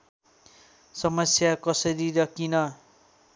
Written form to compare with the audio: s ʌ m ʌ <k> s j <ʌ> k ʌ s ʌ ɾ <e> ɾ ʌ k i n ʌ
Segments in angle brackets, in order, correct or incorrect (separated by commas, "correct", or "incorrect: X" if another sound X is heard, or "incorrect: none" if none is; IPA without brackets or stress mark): incorrect: none, incorrect: a, incorrect: i